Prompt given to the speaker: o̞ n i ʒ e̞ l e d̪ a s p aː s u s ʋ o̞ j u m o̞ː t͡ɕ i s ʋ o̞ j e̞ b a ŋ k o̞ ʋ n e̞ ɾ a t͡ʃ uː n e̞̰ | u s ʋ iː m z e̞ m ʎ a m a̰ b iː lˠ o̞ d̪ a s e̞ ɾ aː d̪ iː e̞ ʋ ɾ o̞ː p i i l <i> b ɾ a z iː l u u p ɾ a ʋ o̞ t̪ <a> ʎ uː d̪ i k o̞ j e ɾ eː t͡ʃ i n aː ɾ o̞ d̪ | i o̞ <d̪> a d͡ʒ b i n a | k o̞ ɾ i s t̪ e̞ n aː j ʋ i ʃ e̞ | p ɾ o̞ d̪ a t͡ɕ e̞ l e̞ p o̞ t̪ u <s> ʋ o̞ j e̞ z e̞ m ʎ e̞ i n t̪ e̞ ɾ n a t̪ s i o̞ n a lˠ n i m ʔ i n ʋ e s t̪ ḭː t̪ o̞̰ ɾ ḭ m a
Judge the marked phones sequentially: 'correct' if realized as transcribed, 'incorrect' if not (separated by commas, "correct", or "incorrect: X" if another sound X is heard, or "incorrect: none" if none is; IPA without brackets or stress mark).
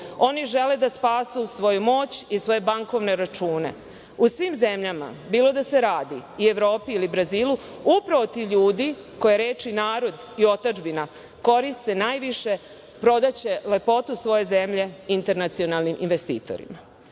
correct, incorrect: i, incorrect: t̪, correct